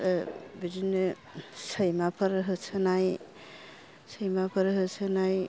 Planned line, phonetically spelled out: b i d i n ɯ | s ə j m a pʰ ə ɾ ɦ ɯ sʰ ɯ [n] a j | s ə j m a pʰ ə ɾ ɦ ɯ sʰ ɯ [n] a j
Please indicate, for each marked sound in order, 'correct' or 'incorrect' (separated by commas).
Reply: correct, correct